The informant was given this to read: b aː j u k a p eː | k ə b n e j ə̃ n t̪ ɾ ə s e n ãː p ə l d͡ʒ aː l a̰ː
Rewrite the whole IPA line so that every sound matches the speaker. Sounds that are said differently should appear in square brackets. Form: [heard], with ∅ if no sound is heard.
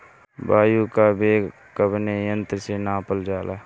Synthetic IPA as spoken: b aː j u k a [b] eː | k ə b n e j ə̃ n t̪ ɾ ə s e n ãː p ə l d͡ʒ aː l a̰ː

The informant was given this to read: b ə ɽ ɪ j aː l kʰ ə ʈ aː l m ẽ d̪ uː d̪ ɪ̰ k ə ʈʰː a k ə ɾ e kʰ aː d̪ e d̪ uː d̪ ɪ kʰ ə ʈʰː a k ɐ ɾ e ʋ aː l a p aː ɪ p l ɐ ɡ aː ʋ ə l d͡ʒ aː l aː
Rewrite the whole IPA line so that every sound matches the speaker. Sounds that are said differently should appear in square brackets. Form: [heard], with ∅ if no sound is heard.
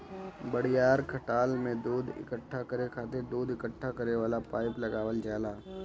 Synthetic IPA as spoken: b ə ɽ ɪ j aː [ɾ] kʰ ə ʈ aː l m ẽ d̪ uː d̪ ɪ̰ k ə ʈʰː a k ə ɾ e kʰ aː [t̪] e d̪ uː d̪ ɪ [k] ə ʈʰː a k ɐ ɾ e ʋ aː l a p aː ɪ p l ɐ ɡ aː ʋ ə l d͡ʒ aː l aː

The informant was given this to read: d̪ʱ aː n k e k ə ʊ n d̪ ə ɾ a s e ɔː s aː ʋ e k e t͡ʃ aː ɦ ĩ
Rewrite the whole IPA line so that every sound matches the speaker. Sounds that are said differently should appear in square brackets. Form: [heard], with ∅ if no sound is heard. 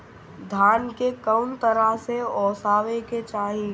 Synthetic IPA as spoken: d̪ʱ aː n k e k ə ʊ n [t̪] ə ɾ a s e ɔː s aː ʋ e k e t͡ʃ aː ɦ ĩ

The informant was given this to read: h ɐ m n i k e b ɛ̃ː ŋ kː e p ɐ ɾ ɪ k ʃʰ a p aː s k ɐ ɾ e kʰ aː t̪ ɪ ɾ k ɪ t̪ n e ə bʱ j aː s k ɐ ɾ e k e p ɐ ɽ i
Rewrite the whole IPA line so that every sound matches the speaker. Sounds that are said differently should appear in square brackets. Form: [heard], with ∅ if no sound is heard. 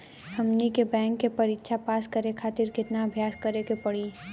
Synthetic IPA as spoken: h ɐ m n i k e b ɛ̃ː ŋ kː e p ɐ ɾ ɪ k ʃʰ a p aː s k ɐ ɾ e kʰ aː t̪ ɪ ɾ k ɪ t̪ n [a] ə bʱ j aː s k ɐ ɾ e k e p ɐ ɽ i

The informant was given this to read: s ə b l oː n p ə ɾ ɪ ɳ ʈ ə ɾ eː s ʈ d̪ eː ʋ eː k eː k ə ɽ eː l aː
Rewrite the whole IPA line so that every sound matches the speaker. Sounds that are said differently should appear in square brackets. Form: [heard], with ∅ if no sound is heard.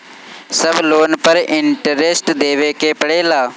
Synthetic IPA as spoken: s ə b l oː n p ə ɾ ɪ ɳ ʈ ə ɾ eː s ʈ d̪ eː ʋ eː k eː [p] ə ɽ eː l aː

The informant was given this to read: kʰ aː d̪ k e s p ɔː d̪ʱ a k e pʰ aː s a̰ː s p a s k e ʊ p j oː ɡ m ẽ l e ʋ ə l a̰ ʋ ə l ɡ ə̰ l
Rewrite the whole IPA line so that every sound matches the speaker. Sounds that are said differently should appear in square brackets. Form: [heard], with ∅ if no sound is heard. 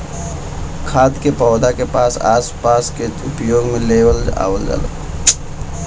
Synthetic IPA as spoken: kʰ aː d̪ k e [∅] p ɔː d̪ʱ a k e [p] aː s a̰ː s p a s k e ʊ p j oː ɡ m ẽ l e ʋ ə l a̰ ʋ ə l ɡ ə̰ l

